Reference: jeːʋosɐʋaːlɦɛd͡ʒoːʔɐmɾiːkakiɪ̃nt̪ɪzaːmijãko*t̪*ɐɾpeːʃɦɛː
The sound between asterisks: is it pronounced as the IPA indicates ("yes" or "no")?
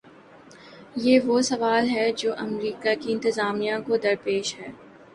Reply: no